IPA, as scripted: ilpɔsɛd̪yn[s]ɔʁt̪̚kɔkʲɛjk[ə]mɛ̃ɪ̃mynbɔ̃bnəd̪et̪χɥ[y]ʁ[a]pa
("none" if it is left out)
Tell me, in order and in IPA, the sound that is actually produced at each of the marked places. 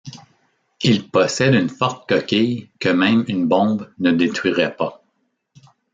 f, ə, i, ɛ

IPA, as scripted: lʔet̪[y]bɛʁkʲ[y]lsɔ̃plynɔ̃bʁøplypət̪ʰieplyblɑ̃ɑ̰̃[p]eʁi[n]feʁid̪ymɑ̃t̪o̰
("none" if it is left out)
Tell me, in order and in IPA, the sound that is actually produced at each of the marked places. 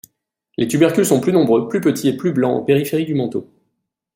y, y, p, none

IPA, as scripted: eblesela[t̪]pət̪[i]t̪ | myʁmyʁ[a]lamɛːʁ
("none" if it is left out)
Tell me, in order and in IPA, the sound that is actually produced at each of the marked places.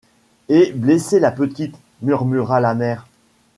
none, i, a

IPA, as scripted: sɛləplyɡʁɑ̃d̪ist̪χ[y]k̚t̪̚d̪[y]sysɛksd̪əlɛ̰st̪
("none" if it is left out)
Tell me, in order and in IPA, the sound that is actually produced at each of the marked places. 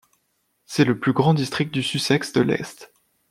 i, y

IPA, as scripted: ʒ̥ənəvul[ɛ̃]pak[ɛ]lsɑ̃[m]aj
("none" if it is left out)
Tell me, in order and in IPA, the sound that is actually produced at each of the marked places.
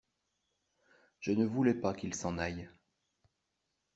ɛ, i, n

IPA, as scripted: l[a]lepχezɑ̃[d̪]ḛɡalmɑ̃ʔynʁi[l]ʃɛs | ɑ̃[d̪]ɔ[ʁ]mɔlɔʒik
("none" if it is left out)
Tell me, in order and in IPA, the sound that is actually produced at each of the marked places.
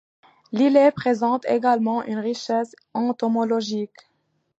i, t̪, none, t̪, none

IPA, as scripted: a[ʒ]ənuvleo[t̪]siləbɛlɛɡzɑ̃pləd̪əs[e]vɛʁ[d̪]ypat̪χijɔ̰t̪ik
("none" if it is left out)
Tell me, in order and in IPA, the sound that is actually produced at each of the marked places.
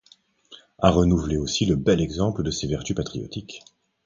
ʁ, none, e, t̪

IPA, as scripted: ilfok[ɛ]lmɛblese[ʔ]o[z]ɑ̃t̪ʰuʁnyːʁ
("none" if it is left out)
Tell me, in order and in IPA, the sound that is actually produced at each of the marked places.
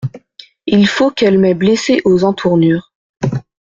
ɛ, ʔ, z

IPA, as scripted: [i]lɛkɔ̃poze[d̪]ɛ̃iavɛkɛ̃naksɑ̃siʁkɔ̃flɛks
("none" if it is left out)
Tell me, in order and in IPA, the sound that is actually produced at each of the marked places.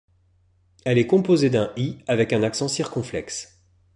ɛ, d̪

